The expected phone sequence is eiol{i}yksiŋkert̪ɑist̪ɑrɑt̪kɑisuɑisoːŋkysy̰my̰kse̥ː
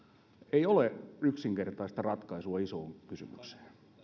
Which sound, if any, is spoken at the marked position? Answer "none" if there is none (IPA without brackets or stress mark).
e